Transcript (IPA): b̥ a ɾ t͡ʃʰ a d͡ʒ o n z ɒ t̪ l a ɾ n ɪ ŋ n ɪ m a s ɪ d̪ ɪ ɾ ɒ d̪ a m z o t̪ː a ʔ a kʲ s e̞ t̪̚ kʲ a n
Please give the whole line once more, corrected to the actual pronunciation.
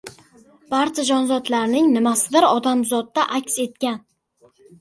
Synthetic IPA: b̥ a ɾ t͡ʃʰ a d͡ʒ ɒ n z ɒ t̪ l a ɾ n ɪ ŋ n ɪ m a s ɪ d̪ ɪ ɾ ɒ d̪ a m z ɒ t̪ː a ʔ a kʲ s e̞ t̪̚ kʲ a n